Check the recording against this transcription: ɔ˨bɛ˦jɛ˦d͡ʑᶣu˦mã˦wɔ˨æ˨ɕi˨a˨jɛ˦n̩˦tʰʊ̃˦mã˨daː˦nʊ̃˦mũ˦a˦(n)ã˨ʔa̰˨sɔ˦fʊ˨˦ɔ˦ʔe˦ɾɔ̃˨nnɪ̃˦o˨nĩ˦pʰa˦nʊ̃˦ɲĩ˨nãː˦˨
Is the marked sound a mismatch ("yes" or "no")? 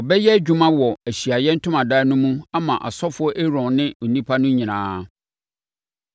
yes